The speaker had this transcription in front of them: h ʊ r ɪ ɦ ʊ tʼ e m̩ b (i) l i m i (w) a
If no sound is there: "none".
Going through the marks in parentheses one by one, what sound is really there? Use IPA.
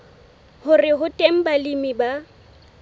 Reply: a, b

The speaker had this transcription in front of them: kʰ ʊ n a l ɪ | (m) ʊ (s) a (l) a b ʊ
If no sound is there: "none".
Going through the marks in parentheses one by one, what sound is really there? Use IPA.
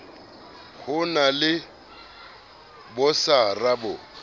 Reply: b, s, r

